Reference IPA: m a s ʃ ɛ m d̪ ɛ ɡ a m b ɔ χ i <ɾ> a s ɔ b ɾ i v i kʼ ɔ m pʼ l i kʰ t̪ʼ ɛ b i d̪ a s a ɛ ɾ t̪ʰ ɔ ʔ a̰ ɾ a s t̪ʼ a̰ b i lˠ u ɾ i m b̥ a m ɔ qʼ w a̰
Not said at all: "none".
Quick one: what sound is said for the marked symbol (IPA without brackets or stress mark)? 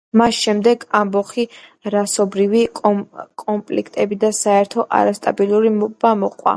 ɾ